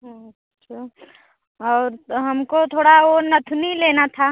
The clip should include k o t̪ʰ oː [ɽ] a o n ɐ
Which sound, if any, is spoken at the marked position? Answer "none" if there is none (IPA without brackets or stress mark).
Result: ɽ